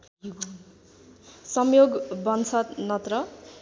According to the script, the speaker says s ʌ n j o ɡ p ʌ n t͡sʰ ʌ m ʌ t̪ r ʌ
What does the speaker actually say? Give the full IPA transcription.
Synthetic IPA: s ʌ m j o ɡ b ʌ n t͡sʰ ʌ n ʌ t̪ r ʌ